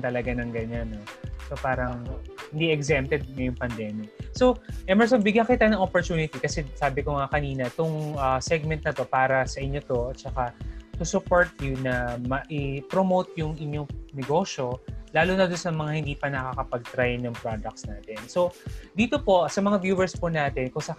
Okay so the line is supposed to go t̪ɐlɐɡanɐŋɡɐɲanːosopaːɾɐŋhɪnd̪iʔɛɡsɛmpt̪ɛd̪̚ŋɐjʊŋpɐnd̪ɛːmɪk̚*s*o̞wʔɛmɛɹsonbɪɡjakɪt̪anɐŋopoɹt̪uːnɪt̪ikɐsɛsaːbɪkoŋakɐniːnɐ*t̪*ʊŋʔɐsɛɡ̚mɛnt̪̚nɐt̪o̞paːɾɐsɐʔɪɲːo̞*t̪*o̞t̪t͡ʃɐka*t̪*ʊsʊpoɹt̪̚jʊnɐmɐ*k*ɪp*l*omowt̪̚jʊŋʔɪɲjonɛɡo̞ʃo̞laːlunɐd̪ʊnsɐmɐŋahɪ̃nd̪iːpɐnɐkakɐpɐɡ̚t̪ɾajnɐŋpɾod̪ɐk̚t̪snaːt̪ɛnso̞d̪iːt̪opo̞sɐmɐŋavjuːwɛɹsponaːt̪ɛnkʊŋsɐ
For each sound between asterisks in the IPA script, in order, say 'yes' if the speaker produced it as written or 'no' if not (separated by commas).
yes, yes, yes, yes, no, no